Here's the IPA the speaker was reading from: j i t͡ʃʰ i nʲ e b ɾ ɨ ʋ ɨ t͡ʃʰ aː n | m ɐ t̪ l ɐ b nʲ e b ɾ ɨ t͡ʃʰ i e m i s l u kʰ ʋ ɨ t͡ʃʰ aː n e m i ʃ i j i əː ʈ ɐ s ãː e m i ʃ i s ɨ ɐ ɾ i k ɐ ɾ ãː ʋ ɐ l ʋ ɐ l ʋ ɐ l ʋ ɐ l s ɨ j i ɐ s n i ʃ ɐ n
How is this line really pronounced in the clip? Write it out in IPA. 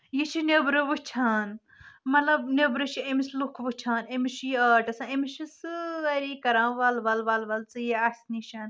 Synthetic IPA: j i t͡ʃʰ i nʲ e b ɾ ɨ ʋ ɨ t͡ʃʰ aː n | m ɐ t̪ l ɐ b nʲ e b ɾ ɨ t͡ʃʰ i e m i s l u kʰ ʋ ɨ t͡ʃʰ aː n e m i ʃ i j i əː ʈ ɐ s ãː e m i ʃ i s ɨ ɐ ɾ i k ɐ ɾ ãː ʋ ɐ l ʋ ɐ l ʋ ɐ l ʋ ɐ l t͡s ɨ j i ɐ s n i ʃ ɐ n